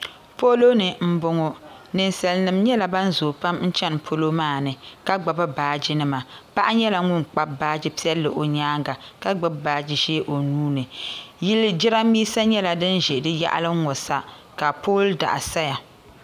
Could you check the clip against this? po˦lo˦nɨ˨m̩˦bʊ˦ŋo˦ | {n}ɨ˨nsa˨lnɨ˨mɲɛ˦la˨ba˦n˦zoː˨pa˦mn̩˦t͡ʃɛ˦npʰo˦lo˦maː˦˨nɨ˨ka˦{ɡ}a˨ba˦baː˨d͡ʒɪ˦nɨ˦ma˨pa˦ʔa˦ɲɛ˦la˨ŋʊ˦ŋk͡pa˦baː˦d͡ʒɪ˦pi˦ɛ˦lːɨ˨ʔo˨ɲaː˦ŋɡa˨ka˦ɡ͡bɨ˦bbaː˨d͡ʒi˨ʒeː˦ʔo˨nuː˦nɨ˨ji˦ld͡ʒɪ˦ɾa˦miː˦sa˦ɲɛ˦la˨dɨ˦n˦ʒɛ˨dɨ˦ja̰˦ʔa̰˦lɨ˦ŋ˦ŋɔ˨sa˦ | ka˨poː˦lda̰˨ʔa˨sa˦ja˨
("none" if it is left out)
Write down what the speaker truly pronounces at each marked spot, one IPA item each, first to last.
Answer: n, ɡ͡b

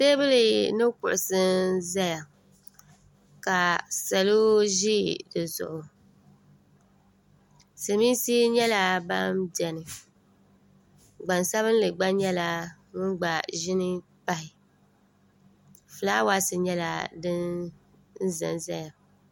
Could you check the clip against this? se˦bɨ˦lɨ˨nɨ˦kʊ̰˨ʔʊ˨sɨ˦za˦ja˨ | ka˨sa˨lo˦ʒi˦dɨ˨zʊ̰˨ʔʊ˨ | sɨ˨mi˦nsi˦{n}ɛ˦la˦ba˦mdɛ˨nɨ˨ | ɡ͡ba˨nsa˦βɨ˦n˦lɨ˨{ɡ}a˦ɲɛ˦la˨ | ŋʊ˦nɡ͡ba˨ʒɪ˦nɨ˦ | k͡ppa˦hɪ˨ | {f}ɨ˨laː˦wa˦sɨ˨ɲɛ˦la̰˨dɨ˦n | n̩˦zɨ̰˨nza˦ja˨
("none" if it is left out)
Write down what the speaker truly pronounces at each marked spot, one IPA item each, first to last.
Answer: ɲ, ɡ͡b, f

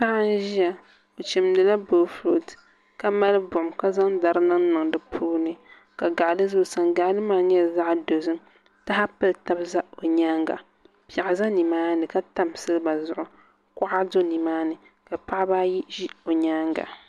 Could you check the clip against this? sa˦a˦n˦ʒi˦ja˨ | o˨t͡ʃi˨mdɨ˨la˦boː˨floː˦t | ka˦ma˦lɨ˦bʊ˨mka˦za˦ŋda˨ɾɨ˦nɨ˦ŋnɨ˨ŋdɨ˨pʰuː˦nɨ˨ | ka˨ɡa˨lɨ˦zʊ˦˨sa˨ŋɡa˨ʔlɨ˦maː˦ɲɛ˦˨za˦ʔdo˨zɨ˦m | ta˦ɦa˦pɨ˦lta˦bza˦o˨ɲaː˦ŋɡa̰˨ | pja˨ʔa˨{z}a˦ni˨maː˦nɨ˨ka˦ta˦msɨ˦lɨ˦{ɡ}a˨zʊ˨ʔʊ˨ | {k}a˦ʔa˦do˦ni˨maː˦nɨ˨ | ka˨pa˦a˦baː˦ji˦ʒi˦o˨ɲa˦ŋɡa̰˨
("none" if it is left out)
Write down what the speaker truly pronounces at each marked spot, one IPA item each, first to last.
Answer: z, b, k

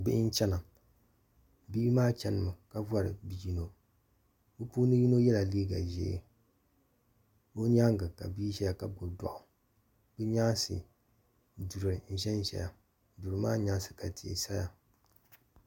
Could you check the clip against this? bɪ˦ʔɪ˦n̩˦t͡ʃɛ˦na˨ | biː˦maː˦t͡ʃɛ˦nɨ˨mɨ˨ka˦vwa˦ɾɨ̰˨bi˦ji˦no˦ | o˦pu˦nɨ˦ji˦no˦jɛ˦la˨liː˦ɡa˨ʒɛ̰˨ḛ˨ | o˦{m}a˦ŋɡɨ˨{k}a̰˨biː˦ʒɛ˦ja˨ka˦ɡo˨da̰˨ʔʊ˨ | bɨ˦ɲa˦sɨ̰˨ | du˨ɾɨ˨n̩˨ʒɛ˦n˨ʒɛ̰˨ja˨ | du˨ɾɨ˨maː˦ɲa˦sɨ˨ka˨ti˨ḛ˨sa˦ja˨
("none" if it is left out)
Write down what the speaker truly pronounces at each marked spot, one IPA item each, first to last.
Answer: ɲ, k

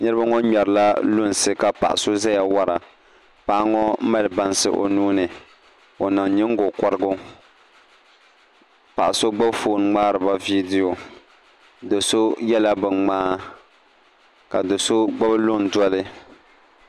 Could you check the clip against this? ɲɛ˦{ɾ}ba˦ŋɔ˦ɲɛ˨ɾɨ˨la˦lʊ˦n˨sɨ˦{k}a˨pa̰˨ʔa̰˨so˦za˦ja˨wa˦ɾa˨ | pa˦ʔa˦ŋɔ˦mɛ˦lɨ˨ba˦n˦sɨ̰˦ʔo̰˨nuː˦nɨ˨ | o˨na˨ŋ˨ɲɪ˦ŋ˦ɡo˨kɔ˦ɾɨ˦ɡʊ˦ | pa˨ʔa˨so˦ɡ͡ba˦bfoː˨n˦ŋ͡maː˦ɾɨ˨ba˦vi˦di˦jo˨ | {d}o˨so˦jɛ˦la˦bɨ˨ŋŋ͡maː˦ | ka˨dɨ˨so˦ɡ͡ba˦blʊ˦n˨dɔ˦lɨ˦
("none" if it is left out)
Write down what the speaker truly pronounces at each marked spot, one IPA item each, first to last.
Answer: ɾ, k, d

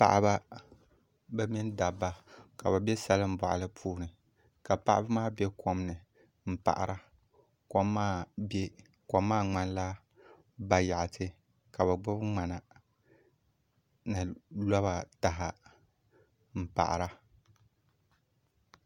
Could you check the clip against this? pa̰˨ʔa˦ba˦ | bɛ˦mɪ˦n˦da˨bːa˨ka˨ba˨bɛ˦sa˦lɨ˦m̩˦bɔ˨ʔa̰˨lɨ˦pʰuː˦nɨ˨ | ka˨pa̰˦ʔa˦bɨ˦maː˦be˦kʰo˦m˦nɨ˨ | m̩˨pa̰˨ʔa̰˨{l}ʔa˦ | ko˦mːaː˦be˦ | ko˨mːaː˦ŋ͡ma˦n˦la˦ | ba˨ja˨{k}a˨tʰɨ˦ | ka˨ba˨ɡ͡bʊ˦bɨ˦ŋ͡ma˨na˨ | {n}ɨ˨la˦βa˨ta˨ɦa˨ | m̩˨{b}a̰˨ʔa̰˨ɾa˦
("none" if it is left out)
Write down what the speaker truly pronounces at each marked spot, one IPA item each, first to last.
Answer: ɾ, ʔ, n, p

